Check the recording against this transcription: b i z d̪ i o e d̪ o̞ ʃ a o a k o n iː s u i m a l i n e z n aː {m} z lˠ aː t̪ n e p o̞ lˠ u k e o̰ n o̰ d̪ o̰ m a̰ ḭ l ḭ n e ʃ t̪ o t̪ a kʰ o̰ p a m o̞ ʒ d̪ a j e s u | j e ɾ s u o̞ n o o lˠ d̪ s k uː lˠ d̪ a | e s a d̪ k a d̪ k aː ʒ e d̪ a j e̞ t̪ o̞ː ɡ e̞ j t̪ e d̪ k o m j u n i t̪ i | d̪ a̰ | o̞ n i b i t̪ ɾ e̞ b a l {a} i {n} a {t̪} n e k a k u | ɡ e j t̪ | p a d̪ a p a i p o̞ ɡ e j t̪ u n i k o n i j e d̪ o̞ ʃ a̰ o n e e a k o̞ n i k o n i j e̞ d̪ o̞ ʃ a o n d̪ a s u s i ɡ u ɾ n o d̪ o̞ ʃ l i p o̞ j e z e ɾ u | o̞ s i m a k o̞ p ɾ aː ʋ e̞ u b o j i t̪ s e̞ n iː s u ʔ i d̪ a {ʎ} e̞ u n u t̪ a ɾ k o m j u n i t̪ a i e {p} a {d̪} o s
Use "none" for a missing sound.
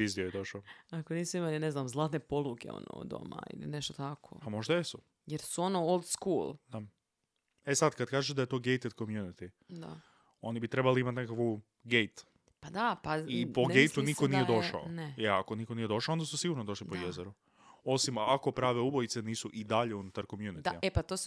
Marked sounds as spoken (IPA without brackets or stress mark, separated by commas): m, i, m, t̪, ʎ, p, t̪